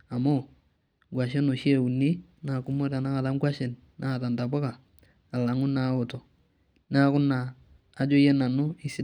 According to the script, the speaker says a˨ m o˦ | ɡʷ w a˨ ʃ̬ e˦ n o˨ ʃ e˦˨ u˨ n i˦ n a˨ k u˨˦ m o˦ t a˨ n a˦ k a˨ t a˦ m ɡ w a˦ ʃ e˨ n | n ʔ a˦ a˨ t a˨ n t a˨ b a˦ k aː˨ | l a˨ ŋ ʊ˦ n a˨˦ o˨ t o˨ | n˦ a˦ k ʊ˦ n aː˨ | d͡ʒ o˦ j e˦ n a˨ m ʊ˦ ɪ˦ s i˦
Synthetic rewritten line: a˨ m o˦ | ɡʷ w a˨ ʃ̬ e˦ n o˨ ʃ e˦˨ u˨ n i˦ n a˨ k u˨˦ m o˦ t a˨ n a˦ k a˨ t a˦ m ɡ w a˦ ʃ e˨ n | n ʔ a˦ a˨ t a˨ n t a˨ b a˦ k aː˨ | l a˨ ŋ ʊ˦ n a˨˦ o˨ t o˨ | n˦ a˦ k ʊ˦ n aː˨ | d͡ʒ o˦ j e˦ n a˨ n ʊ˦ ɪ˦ s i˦